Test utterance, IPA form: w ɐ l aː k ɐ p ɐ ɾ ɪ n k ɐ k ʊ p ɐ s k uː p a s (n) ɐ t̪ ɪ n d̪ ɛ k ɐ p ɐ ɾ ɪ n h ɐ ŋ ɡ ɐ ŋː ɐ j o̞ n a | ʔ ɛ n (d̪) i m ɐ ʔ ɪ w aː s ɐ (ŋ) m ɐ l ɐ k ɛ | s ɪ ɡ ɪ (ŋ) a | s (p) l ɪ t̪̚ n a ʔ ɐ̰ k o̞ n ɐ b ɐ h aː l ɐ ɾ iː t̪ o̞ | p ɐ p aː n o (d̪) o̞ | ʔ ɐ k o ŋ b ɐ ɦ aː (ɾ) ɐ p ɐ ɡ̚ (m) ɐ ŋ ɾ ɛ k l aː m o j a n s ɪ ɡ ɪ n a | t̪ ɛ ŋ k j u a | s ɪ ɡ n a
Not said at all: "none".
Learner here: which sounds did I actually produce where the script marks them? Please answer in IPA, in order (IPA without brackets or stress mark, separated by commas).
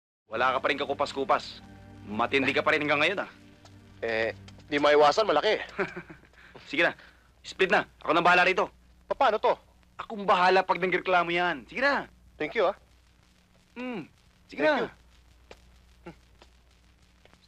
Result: m, d̪, n, n, p, t̪, l, n